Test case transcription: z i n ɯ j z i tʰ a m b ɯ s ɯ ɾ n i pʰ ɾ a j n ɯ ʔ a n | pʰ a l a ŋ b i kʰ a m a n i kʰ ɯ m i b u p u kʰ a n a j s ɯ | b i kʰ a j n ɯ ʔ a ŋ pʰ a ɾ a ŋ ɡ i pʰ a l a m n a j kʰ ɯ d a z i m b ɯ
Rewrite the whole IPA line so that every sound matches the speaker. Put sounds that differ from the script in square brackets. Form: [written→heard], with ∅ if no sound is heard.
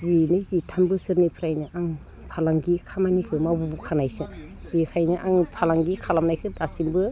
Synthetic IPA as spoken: z i n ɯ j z i tʰ a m b ɯ s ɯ ɾ n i pʰ ɾ a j n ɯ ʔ a [n→ŋ] | pʰ a l a ŋ [b→ɡ] i kʰ a m a n i kʰ ɯ m [i→a] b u [p→b] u kʰ a n a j s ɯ | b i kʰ a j n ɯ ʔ a ŋ pʰ a [ɾ→l] a ŋ ɡ i [pʰ→kʰ] a l a m n a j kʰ ɯ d a [z→s] i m b ɯ

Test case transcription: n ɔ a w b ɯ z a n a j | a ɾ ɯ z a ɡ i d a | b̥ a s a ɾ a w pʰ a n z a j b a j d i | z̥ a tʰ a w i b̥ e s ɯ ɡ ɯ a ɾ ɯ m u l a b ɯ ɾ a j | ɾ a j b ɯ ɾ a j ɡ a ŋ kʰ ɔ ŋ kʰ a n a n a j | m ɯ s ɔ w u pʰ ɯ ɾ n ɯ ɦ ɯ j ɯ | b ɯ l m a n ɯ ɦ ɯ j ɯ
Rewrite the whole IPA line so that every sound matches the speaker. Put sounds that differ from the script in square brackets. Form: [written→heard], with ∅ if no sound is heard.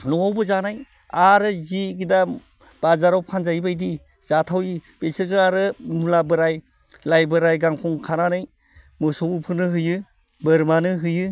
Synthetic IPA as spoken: n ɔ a w b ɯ z a n a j | a ɾ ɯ z [a→i] ɡ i d a | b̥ a [s→z] a ɾ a w pʰ a n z a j b a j d i | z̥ a tʰ a w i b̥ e s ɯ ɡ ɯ a ɾ ɯ m u l a b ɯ ɾ a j | [ɾ→l] a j b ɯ ɾ a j ɡ a ŋ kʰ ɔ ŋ kʰ a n a n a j | m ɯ s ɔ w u pʰ ɯ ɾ n ɯ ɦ ɯ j ɯ | b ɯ [l→ɾ] m a n ɯ ɦ ɯ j ɯ

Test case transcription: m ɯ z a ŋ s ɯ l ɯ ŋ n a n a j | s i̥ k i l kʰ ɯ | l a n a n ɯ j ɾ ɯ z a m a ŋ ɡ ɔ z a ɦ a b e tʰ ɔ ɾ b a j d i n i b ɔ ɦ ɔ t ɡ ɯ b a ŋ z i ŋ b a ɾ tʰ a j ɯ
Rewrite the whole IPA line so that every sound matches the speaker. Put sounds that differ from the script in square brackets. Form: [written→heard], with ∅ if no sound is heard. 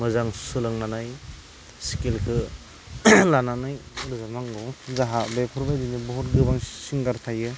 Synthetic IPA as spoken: m ɯ z a ŋ s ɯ l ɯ ŋ n a n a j | s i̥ k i l kʰ ɯ | l a n a n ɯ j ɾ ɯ z a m a ŋ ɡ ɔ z a ɦ a b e [tʰ→pʰ] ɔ ɾ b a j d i n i b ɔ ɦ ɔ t ɡ ɯ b a ŋ [z→s] i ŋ [b→ɡ] a ɾ tʰ a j ɯ

